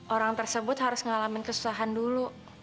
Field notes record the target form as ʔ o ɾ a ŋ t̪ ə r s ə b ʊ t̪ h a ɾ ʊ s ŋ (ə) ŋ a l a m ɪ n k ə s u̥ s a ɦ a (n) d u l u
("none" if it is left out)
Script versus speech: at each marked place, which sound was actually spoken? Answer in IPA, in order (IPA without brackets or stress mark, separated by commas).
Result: ə, n